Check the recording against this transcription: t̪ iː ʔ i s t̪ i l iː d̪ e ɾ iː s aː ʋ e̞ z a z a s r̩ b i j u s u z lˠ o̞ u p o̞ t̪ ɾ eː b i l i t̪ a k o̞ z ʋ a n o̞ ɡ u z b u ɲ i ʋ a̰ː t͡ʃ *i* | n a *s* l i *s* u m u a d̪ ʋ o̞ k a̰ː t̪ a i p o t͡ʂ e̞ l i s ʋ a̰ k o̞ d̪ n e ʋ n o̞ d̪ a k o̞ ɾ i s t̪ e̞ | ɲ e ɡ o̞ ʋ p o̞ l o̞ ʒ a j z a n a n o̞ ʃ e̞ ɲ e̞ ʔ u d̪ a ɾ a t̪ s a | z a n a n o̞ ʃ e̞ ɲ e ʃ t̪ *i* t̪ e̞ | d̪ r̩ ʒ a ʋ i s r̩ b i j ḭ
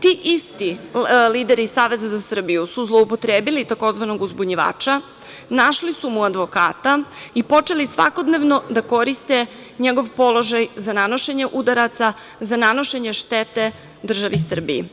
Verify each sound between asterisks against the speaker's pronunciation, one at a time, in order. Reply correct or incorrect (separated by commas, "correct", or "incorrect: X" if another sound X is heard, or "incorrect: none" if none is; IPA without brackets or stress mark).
incorrect: a, incorrect: ʃ, correct, incorrect: e